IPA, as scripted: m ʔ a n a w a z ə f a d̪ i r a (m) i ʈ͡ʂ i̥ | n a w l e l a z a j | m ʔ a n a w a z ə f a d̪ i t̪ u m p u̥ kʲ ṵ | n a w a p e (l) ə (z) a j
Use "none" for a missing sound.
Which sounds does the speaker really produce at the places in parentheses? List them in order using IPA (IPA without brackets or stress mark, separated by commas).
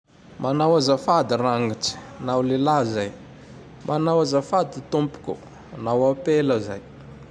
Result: ŋ, l, z